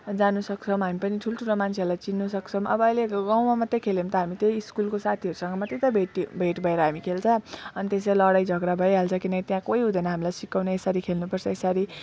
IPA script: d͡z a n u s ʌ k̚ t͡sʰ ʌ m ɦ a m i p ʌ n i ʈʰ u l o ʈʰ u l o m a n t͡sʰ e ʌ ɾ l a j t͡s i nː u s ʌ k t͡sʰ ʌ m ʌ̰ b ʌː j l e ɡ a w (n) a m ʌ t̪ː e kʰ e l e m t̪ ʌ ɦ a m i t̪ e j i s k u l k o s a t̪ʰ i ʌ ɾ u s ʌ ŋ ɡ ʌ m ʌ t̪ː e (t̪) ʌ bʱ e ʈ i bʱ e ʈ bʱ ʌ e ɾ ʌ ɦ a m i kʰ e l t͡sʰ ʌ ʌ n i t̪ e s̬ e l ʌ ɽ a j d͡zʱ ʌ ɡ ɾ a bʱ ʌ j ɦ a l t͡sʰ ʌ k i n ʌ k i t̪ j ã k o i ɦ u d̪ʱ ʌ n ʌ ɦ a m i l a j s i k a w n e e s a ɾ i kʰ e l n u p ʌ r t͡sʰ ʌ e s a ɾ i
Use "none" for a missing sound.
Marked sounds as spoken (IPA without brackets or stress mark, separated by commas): m, t̪